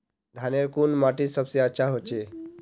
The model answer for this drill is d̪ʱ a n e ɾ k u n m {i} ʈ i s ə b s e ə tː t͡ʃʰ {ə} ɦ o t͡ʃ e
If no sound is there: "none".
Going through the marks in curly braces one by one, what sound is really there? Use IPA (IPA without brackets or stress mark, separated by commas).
a, a